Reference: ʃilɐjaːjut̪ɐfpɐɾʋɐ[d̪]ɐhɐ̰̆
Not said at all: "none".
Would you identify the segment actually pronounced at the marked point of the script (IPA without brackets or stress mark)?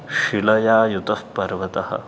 t̪